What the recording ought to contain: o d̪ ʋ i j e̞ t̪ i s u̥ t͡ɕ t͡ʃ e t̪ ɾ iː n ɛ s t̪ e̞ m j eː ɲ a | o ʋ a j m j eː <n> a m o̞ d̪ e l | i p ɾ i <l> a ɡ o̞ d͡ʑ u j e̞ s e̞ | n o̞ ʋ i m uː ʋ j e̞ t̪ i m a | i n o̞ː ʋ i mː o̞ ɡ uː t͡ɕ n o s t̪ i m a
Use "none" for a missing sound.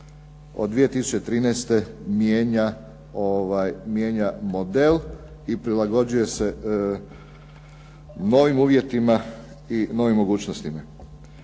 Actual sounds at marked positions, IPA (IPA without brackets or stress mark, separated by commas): ɲ, l